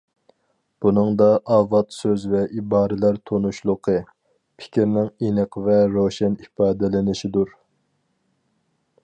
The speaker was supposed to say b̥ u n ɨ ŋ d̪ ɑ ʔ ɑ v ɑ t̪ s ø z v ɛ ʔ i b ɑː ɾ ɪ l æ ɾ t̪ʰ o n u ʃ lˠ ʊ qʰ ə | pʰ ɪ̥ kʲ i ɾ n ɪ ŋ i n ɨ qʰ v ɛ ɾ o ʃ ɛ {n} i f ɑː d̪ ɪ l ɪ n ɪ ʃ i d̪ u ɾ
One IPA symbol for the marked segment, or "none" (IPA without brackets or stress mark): n